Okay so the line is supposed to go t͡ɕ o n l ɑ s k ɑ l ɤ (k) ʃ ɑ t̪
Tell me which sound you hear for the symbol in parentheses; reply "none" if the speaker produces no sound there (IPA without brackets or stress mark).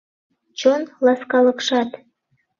k